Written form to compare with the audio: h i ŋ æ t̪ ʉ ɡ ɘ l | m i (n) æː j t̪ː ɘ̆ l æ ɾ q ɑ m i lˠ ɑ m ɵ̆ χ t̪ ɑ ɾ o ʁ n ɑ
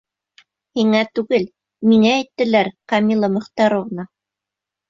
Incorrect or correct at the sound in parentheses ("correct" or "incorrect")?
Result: incorrect